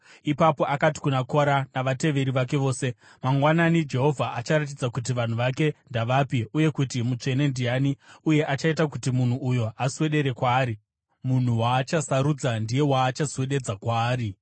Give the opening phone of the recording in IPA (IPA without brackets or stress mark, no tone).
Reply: i